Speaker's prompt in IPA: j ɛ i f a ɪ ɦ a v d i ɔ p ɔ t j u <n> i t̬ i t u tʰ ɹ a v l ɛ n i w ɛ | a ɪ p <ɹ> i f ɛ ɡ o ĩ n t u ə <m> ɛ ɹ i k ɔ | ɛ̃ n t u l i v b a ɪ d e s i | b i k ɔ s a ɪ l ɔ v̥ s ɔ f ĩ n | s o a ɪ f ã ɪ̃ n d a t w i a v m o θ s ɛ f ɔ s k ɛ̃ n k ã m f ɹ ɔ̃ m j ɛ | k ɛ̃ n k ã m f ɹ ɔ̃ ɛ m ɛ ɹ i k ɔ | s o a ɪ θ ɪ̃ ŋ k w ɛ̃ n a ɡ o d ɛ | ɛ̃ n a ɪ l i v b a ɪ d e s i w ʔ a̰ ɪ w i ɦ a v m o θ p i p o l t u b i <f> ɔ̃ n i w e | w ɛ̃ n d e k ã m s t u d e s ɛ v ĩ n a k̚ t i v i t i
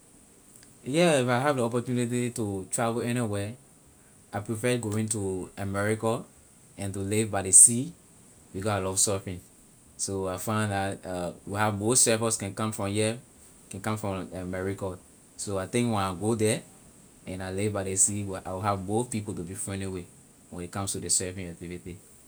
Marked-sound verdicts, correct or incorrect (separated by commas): correct, correct, correct, correct